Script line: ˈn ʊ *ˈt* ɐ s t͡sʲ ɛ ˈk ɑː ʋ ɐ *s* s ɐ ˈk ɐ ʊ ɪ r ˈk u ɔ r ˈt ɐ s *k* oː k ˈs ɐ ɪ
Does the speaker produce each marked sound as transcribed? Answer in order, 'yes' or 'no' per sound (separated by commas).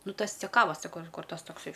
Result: yes, yes, no